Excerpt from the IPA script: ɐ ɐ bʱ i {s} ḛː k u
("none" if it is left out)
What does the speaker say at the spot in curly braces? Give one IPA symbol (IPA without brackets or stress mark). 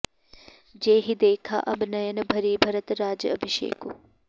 ʃ